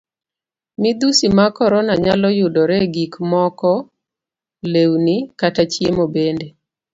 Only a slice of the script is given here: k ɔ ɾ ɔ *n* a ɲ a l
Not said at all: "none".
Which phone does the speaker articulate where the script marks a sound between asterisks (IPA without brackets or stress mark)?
n